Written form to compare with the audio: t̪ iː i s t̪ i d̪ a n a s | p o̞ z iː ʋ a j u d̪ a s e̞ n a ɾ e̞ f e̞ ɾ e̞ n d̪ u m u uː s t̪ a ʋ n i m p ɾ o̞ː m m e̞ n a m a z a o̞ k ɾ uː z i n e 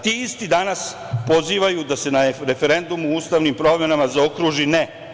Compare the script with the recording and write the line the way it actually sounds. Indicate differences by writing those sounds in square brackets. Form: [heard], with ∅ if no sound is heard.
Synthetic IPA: t̪ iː i s t̪ i d̪ a n a s | p o̞ z iː ʋ a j u d̪ a s e̞ n a ɾ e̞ f e̞ ɾ e̞ n d̪ u m u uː s t̪ a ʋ n i m p ɾ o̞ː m m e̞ n a m a z a o̞ k ɾ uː [ʒ] i n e